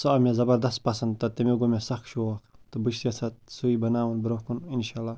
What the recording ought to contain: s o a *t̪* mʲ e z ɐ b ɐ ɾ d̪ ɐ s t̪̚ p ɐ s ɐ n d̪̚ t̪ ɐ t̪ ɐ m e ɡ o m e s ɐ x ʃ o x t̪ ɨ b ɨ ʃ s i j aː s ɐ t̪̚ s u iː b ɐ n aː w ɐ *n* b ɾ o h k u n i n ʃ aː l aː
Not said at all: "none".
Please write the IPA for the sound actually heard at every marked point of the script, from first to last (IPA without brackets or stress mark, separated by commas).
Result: none, n